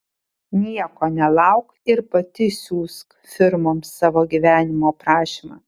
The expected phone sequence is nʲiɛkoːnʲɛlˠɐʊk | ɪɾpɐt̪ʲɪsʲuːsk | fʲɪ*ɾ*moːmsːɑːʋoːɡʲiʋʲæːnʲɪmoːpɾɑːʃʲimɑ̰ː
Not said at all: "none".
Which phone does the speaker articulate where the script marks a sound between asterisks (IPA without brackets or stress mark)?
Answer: ɾ